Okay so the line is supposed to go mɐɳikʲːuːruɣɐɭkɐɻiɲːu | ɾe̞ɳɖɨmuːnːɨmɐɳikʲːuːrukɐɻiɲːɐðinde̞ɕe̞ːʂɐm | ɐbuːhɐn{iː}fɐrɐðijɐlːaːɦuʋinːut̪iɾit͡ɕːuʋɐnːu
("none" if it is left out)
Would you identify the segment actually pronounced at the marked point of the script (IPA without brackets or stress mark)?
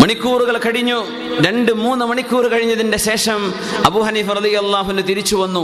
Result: iː